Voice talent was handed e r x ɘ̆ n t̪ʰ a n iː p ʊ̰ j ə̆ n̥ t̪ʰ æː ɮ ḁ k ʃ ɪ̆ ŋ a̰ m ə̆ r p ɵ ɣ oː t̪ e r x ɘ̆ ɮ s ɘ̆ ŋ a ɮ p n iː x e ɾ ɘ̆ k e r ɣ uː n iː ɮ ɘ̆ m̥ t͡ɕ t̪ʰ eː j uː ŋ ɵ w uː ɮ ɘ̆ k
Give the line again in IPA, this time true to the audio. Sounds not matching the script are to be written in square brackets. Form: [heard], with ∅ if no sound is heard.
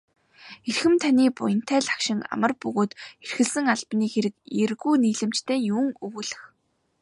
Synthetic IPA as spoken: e r x ɘ̆ [m] t̪ʰ a n iː p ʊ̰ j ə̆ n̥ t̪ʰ æː ɮ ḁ k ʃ ɪ̆ ŋ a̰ m ə̆ r p ɵ ɣ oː t̪ e r x ɘ̆ ɮ s ɘ̆ ŋ a ɮ p n iː x e ɾ ɘ̆ k e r ɣ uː n iː ɮ ɘ̆ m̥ t͡ɕ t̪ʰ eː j uː ŋ ɵ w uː ɮ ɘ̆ [x]